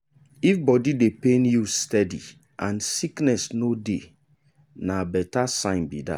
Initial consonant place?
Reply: labial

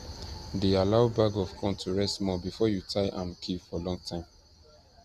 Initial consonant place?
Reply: alveolar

